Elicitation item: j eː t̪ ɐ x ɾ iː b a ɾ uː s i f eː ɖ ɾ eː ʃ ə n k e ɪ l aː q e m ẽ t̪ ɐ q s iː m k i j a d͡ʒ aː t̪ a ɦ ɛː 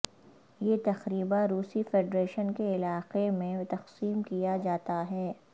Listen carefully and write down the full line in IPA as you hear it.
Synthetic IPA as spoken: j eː t̪ ɐ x ɾ iː b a ɾ uː s i f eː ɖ ɾ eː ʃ ə n k e ɪ l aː q e m ẽ t̪ ɐ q s iː m k i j a d͡ʒ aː t̪ a ɦ ɛː